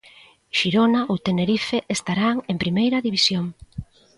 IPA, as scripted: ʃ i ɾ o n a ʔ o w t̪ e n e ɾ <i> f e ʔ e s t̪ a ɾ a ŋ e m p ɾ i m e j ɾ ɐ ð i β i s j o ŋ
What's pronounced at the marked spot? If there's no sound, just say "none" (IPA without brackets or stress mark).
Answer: i